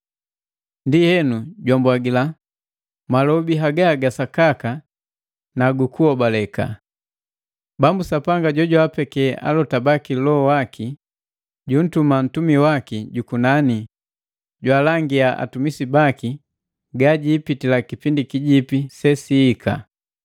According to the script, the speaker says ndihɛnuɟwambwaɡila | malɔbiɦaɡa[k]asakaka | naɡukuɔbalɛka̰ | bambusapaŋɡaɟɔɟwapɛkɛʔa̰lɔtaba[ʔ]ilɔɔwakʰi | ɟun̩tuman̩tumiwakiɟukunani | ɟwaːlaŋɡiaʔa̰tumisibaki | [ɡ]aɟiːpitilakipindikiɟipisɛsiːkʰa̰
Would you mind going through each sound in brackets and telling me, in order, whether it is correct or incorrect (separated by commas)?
incorrect, incorrect, correct